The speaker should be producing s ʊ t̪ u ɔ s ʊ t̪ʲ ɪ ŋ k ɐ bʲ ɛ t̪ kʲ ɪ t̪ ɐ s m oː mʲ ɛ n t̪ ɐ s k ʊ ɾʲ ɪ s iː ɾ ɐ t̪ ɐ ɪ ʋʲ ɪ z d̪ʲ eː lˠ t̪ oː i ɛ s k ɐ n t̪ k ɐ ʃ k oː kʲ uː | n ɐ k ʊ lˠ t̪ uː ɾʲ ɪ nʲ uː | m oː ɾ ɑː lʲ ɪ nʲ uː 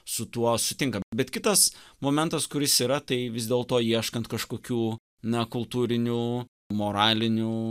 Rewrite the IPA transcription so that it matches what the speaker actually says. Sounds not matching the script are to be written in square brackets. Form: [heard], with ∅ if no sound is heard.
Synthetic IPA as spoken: s ʊ t̪ u ɔ s ʊ t̪ʲ ɪ ŋ k ɐ bʲ ɛ t̪ kʲ ɪ t̪ ɐ s m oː mʲ ɛ n t̪ ɐ s k ʊ ɾʲ ɪ s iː ɾ ɐ t̪ ɐ ɪ ʋʲ ɪ z d̪ʲ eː lˠ t̪ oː i ɛ [ʃ] k ɐ n t̪ k ɐ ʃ k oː kʲ uː | n ɐ k ʊ lˠ t̪ uː ɾʲ ɪ nʲ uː | m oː ɾ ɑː lʲ ɪ nʲ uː